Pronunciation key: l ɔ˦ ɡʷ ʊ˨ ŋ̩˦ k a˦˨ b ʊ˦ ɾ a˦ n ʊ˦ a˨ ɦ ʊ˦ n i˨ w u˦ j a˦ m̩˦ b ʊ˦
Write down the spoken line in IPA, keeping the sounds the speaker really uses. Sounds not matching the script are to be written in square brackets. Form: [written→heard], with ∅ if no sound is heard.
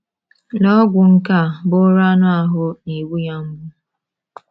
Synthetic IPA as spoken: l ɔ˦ ɡʷ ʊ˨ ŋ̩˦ k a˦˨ b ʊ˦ ɾ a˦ n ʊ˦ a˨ ɦ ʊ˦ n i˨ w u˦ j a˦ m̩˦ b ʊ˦